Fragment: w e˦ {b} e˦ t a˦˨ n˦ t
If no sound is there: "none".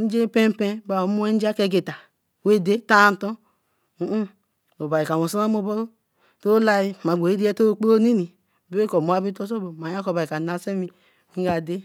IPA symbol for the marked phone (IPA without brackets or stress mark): d